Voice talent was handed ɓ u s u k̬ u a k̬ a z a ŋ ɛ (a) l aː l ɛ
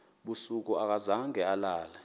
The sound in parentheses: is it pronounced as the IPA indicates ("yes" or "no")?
yes